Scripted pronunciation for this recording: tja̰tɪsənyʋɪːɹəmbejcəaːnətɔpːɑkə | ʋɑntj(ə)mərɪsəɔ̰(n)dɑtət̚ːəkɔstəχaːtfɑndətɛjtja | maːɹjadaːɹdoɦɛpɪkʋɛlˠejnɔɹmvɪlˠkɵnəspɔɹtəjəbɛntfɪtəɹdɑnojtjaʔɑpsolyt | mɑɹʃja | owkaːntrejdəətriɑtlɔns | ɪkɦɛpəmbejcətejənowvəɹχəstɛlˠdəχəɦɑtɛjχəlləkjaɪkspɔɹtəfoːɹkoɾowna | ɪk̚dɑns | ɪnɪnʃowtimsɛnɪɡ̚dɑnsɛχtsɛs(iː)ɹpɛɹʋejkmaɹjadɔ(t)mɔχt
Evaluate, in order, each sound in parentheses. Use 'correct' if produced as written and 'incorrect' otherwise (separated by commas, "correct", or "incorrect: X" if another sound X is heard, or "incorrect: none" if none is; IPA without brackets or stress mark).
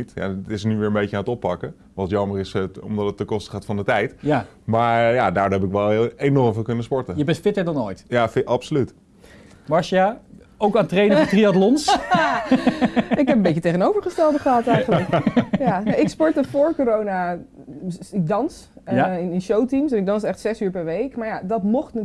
incorrect: ɑ, incorrect: m, incorrect: yː, correct